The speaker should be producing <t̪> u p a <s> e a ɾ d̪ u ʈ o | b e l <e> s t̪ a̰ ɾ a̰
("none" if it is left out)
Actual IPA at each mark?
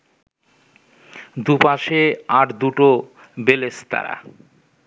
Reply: d̪, ʃ, e

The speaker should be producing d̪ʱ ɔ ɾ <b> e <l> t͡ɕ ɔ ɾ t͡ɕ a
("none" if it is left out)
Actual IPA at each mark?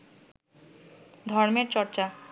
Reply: m, ɾ

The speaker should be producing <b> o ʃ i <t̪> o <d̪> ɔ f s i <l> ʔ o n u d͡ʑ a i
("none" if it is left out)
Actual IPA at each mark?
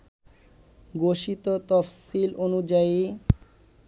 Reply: ɡ, t̪, t̪, l

